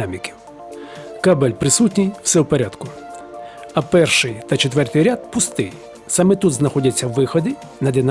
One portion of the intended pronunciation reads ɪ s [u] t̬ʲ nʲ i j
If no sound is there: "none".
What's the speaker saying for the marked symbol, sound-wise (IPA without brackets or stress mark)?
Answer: u